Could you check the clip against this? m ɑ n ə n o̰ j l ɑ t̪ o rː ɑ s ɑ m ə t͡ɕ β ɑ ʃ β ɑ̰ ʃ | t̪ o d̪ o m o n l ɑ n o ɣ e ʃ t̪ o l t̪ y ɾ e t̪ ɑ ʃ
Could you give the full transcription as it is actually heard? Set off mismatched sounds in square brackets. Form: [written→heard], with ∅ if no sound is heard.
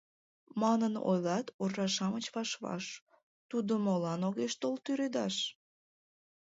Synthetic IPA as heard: m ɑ n ə n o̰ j l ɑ t̪ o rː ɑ [s→ʃ] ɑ m ə t͡ɕ β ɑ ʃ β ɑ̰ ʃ | t̪ [o→u] d̪ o m o [n→∅] l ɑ n o ɣ e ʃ t̪ o l t̪ y ɾ e [t̪→d̪] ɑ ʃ